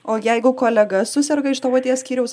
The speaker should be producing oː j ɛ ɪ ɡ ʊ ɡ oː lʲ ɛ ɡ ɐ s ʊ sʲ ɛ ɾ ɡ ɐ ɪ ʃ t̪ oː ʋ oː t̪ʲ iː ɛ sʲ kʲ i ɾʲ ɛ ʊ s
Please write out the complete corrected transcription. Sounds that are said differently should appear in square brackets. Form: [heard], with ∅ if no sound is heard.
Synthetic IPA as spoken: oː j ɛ ɪ ɡ ʊ [k] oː lʲ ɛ ɡ ɐ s ʊ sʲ ɛ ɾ ɡ ɐ ɪ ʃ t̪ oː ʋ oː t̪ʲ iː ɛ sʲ kʲ [iː] ɾʲ ɛ ʊ s